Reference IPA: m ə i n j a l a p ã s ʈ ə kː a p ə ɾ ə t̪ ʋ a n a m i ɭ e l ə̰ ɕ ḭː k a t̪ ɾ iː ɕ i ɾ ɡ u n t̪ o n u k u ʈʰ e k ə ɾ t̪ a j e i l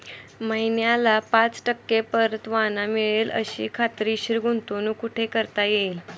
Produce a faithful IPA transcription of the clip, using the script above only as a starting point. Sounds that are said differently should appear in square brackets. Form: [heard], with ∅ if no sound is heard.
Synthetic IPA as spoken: m ə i n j a l a p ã [t͡s] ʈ ə kː [e] p ə ɾ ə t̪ ʋ a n a m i ɭ e l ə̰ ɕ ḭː [kʰ] a t̪ ɾ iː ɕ i ɾ ɡ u n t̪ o n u k u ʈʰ e k ə ɾ t̪ a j e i l

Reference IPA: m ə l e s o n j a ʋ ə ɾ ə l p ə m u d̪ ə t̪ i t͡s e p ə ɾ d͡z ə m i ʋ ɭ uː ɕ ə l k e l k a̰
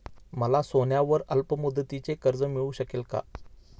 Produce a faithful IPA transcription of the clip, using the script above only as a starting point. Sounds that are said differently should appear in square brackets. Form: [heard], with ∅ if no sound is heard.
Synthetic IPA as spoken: m ə l [a] s o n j a ʋ ə ɾ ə l p ə m u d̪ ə t̪ i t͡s e [k] ə ɾ d͡z ə m i [∅] ɭ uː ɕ ə [∅] k e l k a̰

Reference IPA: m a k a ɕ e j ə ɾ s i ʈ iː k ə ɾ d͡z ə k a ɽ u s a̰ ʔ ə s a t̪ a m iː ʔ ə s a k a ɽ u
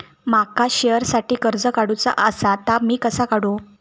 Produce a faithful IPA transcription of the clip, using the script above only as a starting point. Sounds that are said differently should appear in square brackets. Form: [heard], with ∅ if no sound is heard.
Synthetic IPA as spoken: m a k a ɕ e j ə ɾ s [a] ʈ iː k ə ɾ d͡z ə k a ɽ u [t͡s] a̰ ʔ ə s a t̪ a m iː [k] ə s a k a ɽ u

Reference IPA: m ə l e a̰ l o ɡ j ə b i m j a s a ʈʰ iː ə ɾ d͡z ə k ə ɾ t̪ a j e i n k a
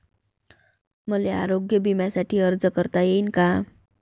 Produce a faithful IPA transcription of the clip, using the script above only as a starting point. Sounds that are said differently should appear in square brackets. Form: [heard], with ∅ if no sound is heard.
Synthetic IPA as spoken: m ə l e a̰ [ɾ] o ɡ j ə b i m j a s a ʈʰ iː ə ɾ d͡z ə k ə ɾ t̪ a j e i n k a

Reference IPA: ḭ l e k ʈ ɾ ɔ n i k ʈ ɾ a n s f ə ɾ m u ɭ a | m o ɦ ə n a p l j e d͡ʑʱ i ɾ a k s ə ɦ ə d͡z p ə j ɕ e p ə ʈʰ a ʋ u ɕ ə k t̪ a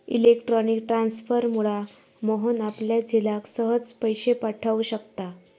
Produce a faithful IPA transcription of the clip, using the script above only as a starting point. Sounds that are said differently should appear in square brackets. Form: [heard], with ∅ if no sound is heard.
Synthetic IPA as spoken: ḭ l e k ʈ ɾ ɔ n i k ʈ ɾ a n s f ə ɾ m u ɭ a | m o ɦ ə n a p l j [a] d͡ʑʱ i [l] a k s ə ɦ ə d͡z p ə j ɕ e p [a] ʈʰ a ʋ u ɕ ə k t̪ a

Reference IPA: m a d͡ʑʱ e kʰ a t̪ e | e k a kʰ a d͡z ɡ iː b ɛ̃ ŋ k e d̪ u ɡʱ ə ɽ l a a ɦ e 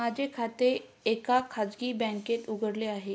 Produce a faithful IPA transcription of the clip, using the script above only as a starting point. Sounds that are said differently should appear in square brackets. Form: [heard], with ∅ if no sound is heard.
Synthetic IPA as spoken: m a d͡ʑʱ e kʰ a t̪ e | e k a kʰ a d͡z ɡ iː b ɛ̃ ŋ k e [t̪] u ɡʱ ə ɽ l [e] a ɦ e

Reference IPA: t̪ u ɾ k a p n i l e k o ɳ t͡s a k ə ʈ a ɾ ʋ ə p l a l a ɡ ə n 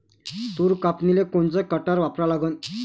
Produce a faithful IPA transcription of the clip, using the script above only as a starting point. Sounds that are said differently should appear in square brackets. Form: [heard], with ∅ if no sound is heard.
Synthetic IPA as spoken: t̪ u ɾ k a p n i l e k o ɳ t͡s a k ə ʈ a ɾ ʋ [a] p [ɾ] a l a ɡ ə n

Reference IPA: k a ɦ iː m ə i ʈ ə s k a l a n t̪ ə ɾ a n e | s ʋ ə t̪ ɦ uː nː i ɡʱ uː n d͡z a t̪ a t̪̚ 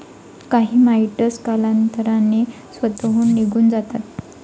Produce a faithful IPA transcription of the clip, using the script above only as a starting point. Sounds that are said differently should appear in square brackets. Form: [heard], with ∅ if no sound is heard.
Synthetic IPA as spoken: k a ɦ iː m [a] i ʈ ə s k a l a n t̪ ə ɾ a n e | s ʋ ə t̪ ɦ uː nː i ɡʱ uː n d͡z a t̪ a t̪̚

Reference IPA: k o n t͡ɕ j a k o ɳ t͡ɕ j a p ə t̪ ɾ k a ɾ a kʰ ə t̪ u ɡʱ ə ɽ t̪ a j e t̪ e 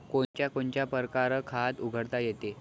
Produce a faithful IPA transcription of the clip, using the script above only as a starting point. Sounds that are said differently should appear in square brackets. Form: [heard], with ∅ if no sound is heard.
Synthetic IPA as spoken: k o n t͡ɕ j a k o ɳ t͡ɕ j a p ə [∅] ɾ k a ɾ [ə] kʰ [a] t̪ u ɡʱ ə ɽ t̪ a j e t̪ e

